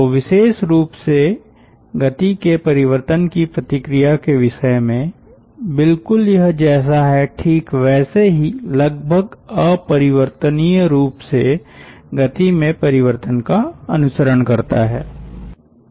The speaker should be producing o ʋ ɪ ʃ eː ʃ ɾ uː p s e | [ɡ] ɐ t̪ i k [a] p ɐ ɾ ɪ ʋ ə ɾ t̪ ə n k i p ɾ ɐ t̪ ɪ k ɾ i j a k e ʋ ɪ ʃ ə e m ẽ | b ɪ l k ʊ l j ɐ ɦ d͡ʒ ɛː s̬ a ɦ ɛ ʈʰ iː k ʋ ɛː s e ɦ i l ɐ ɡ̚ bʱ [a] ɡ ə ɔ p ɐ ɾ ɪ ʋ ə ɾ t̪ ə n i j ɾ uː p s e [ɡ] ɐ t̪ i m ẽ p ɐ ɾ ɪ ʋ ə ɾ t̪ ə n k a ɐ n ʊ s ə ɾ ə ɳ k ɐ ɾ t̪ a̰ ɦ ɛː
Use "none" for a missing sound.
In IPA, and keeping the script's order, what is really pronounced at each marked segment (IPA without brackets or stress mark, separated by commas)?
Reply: ɡ, e, ə, ɡ